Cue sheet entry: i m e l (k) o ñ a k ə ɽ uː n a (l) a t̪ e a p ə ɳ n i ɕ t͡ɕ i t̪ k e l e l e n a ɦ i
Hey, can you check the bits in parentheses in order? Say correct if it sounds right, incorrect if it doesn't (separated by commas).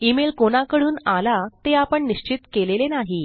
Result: correct, correct